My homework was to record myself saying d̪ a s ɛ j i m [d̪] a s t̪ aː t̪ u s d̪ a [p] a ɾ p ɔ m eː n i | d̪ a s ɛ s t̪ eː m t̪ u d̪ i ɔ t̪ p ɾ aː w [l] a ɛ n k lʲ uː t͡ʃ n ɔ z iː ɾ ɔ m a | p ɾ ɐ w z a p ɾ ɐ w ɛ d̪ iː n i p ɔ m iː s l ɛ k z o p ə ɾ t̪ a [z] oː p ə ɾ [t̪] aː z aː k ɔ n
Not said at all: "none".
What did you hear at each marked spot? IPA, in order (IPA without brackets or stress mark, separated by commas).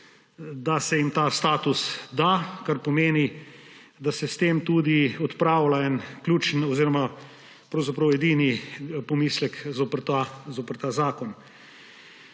t̪, k, l, z, t̪